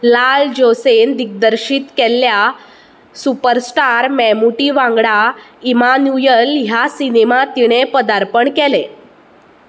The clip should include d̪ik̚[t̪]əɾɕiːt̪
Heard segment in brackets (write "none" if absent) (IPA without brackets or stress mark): d̪